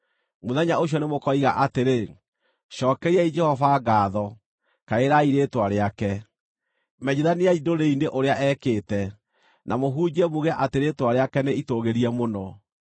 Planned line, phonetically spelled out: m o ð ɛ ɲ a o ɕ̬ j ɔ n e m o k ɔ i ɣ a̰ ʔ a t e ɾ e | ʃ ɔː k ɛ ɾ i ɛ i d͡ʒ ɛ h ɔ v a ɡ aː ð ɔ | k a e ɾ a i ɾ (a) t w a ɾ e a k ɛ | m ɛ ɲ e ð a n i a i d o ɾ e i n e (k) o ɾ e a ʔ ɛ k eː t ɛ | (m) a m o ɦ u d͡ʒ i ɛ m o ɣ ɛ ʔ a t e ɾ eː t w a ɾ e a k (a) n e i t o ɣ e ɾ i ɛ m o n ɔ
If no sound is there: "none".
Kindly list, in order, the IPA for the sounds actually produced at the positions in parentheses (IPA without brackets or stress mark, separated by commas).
e, ʔ, n, ɛ